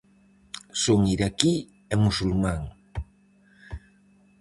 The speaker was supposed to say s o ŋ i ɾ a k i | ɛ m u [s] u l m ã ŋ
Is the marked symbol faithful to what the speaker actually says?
yes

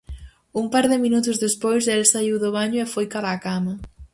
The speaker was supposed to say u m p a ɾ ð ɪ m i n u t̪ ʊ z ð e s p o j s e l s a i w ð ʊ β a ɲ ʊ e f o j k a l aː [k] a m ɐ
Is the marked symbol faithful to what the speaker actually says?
yes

